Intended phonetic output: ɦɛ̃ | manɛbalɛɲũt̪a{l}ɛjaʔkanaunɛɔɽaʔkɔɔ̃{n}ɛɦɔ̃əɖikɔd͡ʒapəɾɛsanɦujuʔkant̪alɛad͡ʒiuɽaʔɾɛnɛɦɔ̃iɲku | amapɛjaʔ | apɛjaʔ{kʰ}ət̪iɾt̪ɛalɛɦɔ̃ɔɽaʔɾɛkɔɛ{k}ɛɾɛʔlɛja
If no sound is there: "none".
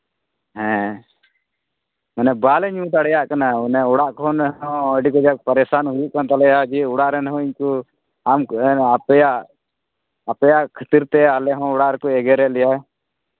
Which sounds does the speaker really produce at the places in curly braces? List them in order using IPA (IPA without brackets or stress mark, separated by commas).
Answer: ɽ, n, kʰ, ɡ